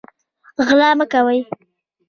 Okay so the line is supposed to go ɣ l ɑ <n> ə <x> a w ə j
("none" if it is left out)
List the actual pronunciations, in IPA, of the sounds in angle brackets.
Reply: m, k

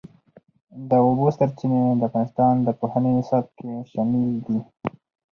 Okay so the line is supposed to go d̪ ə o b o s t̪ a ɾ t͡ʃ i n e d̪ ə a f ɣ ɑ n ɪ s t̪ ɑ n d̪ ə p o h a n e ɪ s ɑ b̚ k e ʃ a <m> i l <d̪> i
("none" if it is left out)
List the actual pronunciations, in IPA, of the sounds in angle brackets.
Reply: m, d̪

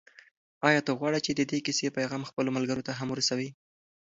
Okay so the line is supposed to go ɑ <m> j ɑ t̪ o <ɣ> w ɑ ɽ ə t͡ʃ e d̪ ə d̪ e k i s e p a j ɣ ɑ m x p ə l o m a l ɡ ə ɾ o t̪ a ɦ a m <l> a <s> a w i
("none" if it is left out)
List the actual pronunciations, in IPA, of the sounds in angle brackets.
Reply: none, ɣ, ɾ, s

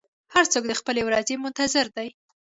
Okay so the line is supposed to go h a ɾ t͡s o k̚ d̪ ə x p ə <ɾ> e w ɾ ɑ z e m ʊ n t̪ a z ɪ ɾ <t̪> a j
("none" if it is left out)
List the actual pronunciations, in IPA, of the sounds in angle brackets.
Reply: l, d̪

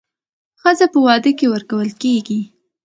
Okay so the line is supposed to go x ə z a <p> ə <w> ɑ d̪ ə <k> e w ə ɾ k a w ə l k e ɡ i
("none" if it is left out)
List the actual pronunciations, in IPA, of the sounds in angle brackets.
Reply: p, w, k

